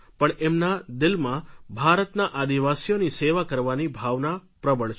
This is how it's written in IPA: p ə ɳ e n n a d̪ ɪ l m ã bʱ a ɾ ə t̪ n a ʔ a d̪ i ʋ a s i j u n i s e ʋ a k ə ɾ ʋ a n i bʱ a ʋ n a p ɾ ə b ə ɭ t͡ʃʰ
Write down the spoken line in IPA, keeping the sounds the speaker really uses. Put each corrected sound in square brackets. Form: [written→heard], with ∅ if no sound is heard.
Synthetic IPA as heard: p ə ɳ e [n→m] n a d̪ ɪ l m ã bʱ a ɾ ə t̪ n a ʔ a d̪ i ʋ a s i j [u→o] n i s e ʋ a k ə ɾ ʋ a n i bʱ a ʋ n a p ɾ ə b ə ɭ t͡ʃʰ